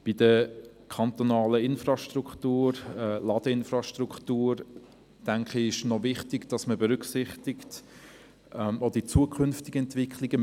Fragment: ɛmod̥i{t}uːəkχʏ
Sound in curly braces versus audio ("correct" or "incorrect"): incorrect